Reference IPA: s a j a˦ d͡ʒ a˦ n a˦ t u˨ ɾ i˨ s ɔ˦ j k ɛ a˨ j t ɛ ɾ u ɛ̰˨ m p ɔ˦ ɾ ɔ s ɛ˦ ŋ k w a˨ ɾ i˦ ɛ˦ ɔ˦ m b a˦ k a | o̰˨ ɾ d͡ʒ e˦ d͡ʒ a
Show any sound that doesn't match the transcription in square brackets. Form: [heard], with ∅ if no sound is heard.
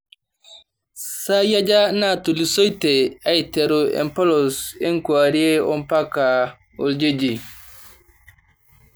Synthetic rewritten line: s a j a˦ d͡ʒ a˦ n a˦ t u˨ [l] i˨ s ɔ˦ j [t] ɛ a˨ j t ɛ ɾ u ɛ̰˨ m p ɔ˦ [l] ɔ s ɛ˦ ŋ k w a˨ ɾ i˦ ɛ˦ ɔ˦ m [p] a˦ k a | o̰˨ [l] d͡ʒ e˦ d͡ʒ [i]